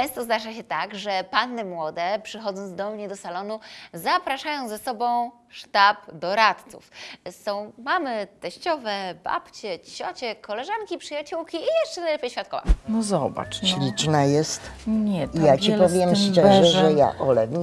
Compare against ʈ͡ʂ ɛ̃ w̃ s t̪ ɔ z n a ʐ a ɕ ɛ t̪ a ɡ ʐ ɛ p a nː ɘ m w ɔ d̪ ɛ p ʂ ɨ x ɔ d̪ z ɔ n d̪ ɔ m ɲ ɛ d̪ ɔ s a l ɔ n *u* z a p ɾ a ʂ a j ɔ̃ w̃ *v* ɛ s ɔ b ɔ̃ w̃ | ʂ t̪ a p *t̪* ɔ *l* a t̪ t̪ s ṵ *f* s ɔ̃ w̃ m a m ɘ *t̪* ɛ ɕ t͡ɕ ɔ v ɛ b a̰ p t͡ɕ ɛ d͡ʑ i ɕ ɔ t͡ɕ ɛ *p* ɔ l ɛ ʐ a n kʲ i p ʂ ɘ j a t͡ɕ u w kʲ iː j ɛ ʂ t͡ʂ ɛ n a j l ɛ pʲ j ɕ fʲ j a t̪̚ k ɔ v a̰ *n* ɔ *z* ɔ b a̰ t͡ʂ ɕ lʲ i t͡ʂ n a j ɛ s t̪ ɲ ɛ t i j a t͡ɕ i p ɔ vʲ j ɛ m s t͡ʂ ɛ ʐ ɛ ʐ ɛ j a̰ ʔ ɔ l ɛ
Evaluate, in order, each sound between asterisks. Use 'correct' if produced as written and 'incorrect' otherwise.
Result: correct, incorrect, incorrect, incorrect, correct, correct, incorrect, correct, correct

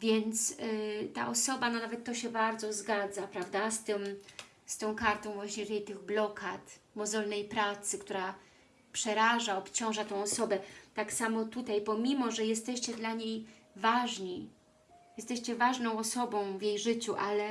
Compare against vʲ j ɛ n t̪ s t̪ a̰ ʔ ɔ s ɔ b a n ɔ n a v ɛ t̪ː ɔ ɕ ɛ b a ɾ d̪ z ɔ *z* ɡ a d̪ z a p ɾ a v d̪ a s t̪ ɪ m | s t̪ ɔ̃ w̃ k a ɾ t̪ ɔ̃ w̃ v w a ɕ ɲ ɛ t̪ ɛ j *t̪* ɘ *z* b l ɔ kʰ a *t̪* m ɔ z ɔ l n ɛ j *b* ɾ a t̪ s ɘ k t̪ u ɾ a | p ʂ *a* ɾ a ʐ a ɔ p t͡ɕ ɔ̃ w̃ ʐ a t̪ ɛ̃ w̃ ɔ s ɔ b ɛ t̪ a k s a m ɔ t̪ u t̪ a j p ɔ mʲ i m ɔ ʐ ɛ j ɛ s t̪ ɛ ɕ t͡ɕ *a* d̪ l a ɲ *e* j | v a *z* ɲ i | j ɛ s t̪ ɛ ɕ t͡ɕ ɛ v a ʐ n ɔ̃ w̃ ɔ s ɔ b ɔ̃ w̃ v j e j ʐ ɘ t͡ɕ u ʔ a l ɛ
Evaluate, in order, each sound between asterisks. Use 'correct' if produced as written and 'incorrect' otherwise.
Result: correct, correct, incorrect, correct, incorrect, incorrect, incorrect, correct, incorrect

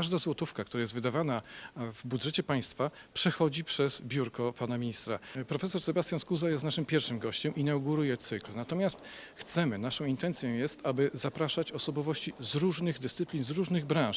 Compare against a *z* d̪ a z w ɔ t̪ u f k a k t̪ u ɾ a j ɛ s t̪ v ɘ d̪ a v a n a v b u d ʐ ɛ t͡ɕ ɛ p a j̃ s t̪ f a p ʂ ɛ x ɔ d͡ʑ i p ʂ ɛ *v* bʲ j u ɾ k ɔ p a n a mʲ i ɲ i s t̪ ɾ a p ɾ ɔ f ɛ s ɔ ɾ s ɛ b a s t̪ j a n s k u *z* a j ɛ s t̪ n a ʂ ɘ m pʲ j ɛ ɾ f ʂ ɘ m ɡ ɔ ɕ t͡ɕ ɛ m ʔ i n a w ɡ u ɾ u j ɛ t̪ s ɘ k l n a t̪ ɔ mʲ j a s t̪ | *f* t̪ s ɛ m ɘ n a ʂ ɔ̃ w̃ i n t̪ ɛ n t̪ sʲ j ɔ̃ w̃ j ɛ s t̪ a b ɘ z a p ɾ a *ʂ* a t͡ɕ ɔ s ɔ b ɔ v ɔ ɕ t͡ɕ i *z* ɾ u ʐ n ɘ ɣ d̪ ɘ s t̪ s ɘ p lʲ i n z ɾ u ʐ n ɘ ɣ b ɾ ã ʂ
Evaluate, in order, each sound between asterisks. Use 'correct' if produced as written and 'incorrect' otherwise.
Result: incorrect, incorrect, correct, incorrect, correct, correct

